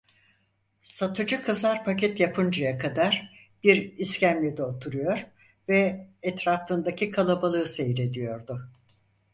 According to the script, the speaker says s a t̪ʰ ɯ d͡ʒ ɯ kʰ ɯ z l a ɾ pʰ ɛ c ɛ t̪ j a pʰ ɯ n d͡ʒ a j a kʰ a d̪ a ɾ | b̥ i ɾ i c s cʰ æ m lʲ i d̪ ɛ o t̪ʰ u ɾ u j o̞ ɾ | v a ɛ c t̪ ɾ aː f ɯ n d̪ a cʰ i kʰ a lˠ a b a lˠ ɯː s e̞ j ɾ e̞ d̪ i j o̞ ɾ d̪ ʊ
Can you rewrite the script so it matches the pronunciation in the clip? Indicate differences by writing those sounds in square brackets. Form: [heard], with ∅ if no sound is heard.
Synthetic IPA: s a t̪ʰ ɯ d͡ʒ ɯ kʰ ɯ z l a ɾ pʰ [a] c ɛ t̪ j a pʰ ɯ n d͡ʒ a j a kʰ a d̪ a ɾ | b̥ i ɾ i [∅] s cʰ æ m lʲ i d̪ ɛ o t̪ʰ u ɾ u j o̞ ɾ | v [ɛ] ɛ [∅] t̪ ɾ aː f ɯ n d̪ a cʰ i kʰ a lˠ a b a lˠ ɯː s e̞ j ɾ e̞ d̪ i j o̞ ɾ d̪ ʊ

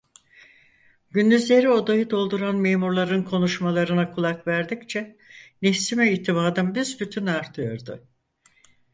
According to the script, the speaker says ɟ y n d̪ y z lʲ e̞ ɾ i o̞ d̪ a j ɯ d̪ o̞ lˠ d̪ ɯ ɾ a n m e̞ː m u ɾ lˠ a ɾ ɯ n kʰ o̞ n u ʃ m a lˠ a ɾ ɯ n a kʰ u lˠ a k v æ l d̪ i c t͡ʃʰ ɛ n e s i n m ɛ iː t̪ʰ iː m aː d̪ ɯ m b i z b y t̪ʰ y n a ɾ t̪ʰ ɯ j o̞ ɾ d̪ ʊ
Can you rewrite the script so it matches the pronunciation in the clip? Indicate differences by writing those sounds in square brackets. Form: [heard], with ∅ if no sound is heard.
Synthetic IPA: ɟ y n d̪ y z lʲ e̞ ɾ i o̞ d̪ a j ɯ d̪ o̞ lˠ d̪ [u] ɾ a n m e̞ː m u ɾ lˠ a ɾ ɯ n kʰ o̞ n u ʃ m a lˠ a ɾ ɯ n a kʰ u lˠ a k v æ [ɾ] d̪ i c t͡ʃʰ ɛ n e s i [∅] m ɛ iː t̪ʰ [i] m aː d̪ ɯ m b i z b y t̪ʰ y n a ɾ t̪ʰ ɯ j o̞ ɾ d̪ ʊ

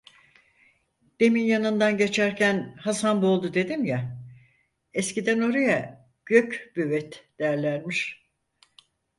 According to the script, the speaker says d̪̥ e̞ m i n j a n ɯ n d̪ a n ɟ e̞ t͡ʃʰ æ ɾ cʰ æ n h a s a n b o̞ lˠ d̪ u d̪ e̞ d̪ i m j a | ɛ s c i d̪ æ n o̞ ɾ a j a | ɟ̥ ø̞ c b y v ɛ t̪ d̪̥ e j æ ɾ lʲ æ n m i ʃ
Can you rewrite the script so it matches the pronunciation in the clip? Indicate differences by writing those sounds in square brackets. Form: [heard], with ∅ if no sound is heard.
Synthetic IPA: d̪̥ e̞ m i n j a n ɯ n d̪ a n ɟ e̞ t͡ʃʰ æ ɾ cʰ æ n h a s a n b o̞ lˠ d̪ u d̪ e̞ d̪ i m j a | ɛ s c i d̪ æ n o̞ ɾ a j a | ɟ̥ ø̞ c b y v ɛ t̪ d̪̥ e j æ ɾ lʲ æ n m i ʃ

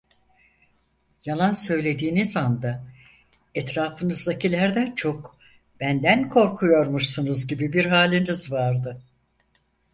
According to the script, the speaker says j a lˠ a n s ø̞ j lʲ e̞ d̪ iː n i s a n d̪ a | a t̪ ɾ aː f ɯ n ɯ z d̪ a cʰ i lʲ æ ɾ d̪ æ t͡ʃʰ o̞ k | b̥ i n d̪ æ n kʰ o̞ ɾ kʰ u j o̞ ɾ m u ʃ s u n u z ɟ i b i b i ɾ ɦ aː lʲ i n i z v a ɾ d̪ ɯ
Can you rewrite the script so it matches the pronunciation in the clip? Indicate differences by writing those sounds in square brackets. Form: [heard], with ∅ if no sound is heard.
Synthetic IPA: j a lˠ a n s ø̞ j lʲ e̞ d̪ iː n i [z] a n d̪ a | [ɛ] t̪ ɾ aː f ɯ n ɯ z d̪ a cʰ i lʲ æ ɾ d̪ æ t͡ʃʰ o̞ k | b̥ [æ] n d̪ æ n kʰ o̞ ɾ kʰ u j o̞ ɾ m u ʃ s u n u z ɟ i b i b i ɾ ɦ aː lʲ i n i z v a ɾ d̪ ɯ

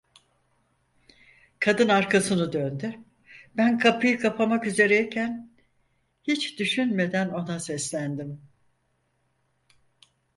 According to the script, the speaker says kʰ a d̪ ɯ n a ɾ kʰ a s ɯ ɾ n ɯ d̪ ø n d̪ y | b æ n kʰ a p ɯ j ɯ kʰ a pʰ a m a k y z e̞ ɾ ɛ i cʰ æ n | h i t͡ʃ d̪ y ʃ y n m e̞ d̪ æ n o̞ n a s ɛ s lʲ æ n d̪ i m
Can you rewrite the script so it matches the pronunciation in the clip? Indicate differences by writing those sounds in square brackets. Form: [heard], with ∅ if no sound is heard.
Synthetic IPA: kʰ a d̪ ɯ n a ɾ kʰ a s ɯ [∅] n ɯ d̪ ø n d̪ y | b æ n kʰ a p ɯ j ɯ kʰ a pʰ a m a k y z e̞ ɾ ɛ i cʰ æ n | h i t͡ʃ d̪ y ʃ y n m e̞ d̪ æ n o̞ n a s ɛ s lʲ æ n d̪ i m

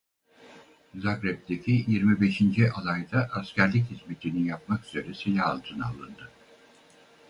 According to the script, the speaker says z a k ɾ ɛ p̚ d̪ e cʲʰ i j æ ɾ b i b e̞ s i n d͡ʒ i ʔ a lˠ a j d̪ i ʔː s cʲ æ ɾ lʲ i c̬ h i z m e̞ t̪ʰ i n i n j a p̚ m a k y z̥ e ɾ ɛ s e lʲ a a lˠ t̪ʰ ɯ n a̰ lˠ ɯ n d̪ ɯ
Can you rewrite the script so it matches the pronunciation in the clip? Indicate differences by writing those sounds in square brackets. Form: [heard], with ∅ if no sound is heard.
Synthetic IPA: z a k ɾ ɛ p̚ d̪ e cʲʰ i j [i] ɾ [m] i b e̞ [ʃ] i n d͡ʒ i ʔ a lˠ a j d̪ [a] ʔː s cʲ æ ɾ lʲ i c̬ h i z m e̞ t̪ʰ i n i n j a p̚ m a k y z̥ e ɾ ɛ s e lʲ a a lˠ t̪ʰ ɯ n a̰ lˠ ɯ n d̪ ɯ

